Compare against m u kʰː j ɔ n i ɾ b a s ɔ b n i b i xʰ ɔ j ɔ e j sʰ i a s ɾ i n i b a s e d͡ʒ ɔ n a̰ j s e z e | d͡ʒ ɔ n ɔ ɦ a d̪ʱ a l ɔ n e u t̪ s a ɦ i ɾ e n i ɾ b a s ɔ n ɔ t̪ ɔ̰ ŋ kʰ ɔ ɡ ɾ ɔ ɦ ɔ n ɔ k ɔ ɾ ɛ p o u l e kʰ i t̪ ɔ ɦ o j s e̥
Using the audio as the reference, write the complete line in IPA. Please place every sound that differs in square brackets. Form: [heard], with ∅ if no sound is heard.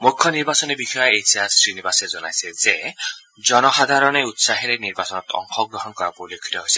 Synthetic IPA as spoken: m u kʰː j ɔ n i ɾ b a s ɔ [∅] n i b i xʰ ɔ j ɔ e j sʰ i a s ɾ i n i b a s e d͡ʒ ɔ n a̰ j s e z e | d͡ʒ ɔ n ɔ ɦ a d̪ʱ a [ɾ] ɔ n e u t̪ s a ɦ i ɾ e n i ɾ b a s ɔ n ɔ t̪ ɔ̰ ŋ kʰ ɔ ɡ ɾ ɔ ɦ ɔ n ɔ k ɔ ɾ [a] p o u l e kʰ i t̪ ɔ ɦ o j s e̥